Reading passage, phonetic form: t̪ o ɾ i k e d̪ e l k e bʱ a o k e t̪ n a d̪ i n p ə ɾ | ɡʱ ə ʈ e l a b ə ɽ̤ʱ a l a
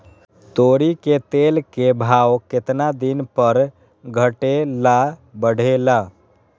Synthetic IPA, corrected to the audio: t̪ o ɾ i k e t̪ e l k e bʱ a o k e t̪ n a d̪ i n p ə ɾ | ɡʱ ə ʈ e l a b ə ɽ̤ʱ e l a